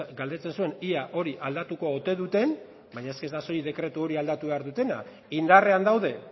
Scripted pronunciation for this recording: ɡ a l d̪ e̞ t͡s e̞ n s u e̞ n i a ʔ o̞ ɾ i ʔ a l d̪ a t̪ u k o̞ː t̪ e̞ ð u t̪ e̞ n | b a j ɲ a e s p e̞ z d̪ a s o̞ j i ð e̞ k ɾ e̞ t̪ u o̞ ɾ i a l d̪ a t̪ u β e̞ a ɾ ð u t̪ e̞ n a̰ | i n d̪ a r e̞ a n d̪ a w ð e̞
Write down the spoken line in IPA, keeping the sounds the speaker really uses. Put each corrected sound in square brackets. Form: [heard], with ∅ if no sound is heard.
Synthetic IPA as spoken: ɡ a l d̪ e̞ t͡s e̞ n s u e̞ n i a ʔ o̞ ɾ i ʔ a l d̪ a t̪ u k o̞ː t̪ e̞ ð u t̪ e̞ n | b a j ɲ a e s [k] e̞ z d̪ a s o̞ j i ð e̞ k ɾ e̞ t̪ u o̞ ɾ i a l d̪ a t̪ u β e̞ a ɾ ð u t̪ e̞ n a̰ | i n d̪ a r e̞ a n d̪ a w ð e̞